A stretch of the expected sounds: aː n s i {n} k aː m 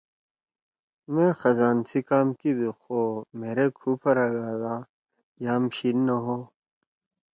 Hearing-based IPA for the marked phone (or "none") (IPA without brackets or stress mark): none